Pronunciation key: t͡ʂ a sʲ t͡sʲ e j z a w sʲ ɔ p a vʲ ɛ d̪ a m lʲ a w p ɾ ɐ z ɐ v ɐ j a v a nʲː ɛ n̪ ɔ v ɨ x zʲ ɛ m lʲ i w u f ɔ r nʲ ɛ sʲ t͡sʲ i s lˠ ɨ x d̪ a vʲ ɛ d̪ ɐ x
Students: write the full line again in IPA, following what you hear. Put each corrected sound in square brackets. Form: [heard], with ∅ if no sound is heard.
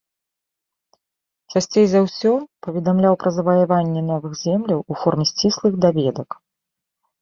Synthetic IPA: t͡ʂ a sʲ t͡sʲ e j z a w sʲ ɔ p [ɐ] vʲ ɛ d̪ a m lʲ a w p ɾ ɐ z ɐ v ɐ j a v a nʲː ɛ n̪ ɔ v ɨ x zʲ ɛ m lʲ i w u f ɔ r [mʲ] ɛ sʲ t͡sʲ i s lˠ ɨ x d̪ a vʲ ɛ d̪ ɐ [k]